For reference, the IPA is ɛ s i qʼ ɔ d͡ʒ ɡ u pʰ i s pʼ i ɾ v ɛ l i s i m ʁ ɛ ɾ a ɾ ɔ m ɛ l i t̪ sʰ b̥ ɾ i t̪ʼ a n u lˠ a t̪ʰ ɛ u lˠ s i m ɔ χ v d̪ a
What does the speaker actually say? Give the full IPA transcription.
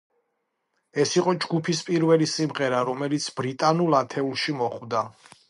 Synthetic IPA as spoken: ɛ s i qʼ ɔ d͡ʒ ɡ u pʰ i s pʼ i ɾ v ɛ l i s i m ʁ ɛ ɾ a ɾ ɔ m ɛ l i t̪ sʰ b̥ ɾ i t̪ʼ a n u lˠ a t̪ʰ ɛ u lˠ ʃ i m ɔ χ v d̪ a